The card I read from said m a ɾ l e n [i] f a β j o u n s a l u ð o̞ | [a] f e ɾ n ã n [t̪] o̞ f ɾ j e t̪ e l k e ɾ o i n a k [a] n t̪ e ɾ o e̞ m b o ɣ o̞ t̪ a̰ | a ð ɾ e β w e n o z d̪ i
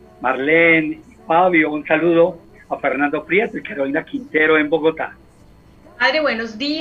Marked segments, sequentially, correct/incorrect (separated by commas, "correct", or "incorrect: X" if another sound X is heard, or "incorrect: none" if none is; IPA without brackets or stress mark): correct, correct, incorrect: d̪, incorrect: i